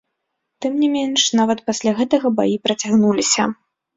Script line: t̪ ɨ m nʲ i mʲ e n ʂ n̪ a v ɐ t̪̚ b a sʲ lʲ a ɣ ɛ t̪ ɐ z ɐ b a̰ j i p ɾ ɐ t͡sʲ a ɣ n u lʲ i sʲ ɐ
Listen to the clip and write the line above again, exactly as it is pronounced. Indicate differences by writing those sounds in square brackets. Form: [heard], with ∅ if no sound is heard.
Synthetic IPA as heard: t̪ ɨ m nʲ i mʲ e n ʂ n̪ a v ɐ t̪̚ [p] a sʲ lʲ a ɣ ɛ t̪ ɐ [ɣ] ɐ b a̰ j i p ɾ ɐ t͡sʲ a ɣ n u lʲ i sʲ ɐ